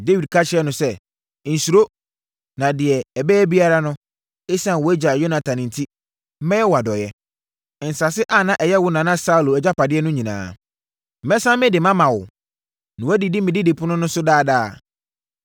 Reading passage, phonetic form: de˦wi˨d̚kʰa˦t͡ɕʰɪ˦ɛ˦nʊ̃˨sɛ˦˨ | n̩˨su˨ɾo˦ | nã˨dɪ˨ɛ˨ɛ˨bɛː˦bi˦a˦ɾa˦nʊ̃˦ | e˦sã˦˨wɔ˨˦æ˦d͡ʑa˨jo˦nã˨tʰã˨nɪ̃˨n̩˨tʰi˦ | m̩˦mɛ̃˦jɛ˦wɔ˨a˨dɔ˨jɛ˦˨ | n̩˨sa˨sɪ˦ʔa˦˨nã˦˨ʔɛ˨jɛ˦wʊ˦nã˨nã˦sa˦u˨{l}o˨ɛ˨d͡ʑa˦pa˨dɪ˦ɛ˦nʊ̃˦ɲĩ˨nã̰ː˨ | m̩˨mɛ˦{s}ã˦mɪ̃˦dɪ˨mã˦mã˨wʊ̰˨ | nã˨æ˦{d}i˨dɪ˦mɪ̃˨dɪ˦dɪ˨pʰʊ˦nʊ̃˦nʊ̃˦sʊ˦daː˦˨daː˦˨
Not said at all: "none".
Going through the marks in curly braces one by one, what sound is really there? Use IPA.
l, s, d

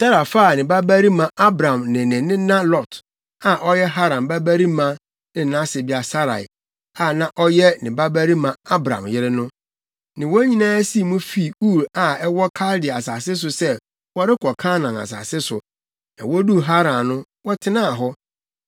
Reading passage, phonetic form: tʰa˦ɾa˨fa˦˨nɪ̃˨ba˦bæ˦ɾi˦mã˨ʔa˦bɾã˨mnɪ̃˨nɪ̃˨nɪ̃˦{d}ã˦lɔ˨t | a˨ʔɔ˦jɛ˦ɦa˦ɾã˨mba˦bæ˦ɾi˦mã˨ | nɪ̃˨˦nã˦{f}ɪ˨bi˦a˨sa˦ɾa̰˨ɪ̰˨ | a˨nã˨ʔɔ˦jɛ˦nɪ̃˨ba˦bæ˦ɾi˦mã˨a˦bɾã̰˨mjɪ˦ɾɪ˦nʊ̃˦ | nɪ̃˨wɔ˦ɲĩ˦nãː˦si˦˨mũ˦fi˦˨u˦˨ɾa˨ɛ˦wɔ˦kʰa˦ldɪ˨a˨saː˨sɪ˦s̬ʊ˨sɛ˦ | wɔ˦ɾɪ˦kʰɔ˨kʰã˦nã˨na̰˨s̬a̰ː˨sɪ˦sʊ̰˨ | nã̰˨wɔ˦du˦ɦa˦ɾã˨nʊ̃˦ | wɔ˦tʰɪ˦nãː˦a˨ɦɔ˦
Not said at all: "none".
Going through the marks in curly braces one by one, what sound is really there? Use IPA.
n, s

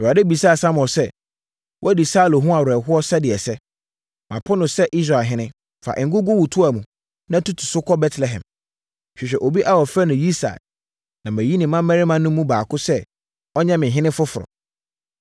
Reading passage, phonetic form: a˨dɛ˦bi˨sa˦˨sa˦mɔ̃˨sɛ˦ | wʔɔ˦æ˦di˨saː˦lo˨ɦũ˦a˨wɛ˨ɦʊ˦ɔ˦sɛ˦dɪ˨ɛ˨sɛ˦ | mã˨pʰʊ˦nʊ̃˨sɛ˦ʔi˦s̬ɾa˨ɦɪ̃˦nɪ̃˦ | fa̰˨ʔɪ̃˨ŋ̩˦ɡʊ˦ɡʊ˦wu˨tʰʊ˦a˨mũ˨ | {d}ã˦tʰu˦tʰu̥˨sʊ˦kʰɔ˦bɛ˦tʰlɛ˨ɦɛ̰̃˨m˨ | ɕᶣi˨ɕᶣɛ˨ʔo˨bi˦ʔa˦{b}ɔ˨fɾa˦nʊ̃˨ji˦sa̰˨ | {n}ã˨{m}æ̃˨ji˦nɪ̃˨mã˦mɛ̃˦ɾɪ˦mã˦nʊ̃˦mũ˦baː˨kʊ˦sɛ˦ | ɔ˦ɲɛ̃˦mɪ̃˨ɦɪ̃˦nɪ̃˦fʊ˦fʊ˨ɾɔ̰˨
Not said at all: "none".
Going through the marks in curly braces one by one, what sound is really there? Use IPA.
n, w, n, m

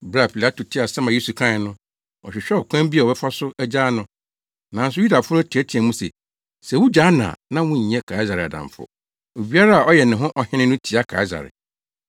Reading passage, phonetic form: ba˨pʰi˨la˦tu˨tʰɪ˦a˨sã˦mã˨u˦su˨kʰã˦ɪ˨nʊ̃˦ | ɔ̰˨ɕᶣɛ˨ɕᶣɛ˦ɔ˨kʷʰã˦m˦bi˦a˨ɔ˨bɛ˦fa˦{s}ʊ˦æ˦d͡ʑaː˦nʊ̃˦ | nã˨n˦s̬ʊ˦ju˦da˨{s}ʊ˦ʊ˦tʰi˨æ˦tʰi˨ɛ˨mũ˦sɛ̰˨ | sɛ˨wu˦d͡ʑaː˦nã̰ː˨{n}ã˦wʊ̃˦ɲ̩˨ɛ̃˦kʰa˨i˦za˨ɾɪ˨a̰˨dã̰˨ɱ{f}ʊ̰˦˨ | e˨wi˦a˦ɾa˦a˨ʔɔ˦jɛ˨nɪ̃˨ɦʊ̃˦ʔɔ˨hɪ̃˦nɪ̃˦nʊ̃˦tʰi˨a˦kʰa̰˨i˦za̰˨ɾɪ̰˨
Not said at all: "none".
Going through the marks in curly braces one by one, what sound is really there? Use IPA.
s, f, n, f

